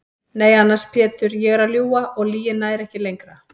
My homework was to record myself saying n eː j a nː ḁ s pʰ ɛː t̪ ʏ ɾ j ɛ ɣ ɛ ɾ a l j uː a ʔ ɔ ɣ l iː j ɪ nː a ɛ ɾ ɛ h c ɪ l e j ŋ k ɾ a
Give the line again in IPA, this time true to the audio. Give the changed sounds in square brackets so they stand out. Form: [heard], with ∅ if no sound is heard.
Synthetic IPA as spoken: n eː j a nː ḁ s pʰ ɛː t̪ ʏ ɾ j ɛ ɣ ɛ ɾ a l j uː a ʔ ɔ ɣ l iː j ɪ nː a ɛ ɾ ɛ h c ɪ l e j ŋ k ɾ a